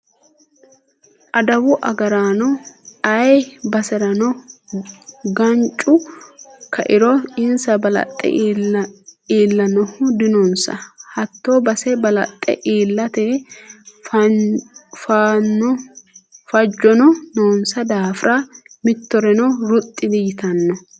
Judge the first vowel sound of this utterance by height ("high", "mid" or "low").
low